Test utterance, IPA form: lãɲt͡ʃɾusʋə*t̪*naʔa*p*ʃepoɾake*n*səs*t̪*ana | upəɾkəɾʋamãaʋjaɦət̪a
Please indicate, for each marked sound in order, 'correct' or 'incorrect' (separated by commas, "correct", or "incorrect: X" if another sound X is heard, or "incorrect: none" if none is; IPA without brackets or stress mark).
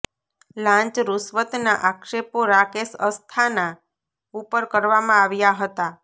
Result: correct, incorrect: k, incorrect: none, incorrect: t̪ʰ